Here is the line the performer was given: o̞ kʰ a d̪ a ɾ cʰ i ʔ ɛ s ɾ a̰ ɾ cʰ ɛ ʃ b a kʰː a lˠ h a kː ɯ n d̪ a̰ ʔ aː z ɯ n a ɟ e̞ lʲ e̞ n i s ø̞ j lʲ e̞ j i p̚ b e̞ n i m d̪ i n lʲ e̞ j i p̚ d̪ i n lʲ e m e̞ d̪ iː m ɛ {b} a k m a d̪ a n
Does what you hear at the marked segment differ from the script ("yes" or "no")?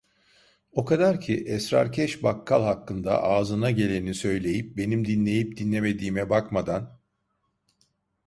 no